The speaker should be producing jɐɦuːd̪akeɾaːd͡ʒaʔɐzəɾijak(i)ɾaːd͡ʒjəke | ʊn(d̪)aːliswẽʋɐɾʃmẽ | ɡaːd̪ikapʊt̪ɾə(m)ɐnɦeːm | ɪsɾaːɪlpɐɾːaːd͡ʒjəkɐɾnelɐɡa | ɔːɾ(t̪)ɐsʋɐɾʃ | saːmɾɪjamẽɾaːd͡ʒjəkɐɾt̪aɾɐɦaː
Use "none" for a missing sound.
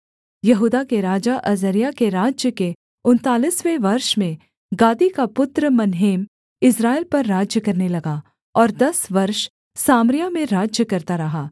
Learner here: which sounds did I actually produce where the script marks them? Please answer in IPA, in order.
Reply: e, t̪, m, d̪

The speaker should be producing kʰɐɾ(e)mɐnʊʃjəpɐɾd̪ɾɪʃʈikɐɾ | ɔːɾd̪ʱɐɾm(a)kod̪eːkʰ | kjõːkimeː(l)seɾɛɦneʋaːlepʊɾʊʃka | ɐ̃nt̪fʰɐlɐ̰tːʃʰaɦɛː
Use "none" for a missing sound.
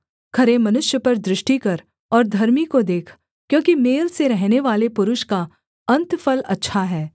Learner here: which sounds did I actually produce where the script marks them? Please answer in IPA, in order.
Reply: e, i, l

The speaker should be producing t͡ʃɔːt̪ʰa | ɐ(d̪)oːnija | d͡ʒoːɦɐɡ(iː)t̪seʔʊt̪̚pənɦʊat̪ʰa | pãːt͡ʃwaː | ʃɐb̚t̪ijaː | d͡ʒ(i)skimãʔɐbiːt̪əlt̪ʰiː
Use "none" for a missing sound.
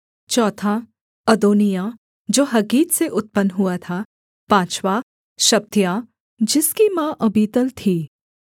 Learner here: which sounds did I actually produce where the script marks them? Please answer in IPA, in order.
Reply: d̪, iː, ɪ

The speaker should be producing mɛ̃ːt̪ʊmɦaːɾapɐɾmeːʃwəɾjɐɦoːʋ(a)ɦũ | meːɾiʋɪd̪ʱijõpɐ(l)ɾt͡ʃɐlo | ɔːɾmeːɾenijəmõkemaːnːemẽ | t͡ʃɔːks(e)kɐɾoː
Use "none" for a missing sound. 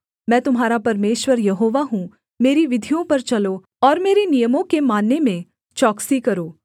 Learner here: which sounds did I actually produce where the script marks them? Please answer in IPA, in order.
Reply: a, none, i

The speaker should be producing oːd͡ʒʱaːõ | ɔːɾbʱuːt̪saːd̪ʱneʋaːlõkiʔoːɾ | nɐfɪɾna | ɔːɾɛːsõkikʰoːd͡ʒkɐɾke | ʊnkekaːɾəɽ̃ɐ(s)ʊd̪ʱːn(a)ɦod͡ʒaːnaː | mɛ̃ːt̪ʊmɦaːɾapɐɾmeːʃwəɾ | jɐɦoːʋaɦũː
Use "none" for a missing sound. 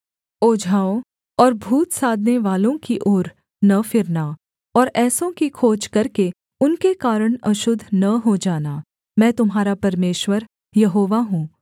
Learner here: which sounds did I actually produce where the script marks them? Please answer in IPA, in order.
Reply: ʃ, ɐ

